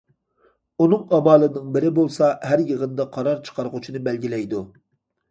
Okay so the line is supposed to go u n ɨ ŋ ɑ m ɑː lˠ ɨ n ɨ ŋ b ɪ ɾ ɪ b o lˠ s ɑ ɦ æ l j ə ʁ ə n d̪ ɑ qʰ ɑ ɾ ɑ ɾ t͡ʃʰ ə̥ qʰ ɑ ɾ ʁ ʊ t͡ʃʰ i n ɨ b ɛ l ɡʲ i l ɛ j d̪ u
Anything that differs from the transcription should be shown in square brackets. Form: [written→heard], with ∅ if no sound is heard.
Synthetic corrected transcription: u n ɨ ŋ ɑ m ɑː lˠ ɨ n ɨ ŋ b ɪ ɾ ɪ b o lˠ s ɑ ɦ æ [l→ɾ] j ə ʁ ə n d̪ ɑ qʰ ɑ ɾ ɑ ɾ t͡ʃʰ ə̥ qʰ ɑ ɾ ʁ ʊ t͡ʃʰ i n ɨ b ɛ l ɡʲ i l ɛ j d̪ u